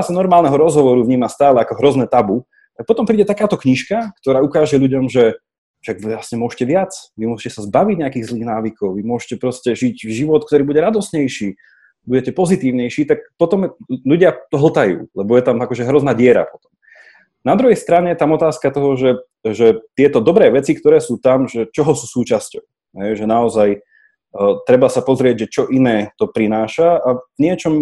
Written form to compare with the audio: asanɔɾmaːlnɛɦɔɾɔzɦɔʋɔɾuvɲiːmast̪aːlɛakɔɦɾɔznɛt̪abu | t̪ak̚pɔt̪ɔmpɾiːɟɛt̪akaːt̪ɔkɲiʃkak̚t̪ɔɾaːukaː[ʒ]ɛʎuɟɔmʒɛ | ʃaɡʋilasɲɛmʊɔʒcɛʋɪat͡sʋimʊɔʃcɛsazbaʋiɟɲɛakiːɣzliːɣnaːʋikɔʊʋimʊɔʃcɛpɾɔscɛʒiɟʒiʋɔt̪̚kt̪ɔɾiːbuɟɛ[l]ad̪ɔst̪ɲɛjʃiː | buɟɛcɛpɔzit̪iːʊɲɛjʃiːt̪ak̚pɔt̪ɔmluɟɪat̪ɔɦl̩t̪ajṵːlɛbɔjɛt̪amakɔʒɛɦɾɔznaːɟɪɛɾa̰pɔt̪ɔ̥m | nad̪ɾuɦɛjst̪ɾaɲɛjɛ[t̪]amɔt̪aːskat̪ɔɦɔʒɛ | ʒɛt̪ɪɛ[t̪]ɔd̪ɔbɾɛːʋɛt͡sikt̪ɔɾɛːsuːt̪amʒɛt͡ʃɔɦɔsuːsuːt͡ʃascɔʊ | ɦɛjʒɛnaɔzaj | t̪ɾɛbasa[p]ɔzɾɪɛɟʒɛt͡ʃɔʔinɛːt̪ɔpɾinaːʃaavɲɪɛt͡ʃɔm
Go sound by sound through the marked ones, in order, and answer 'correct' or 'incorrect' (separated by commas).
correct, incorrect, correct, correct, correct